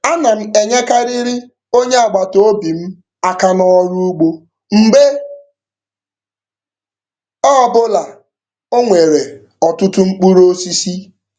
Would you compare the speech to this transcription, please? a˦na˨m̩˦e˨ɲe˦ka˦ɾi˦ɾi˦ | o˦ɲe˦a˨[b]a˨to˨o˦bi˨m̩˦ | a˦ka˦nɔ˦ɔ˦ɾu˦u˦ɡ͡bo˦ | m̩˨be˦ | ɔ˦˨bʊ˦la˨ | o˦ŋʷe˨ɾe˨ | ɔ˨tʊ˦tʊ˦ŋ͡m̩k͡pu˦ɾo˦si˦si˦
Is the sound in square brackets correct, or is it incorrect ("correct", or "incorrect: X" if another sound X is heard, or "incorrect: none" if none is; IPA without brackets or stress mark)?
incorrect: ɡ͡b